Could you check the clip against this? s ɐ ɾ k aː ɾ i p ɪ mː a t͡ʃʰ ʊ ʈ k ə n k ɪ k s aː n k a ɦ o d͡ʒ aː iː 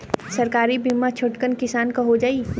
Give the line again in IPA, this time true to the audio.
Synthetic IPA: s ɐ ɾ k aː ɾ i b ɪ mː a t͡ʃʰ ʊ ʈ k ə n k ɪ s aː n k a ɦ o d͡ʒ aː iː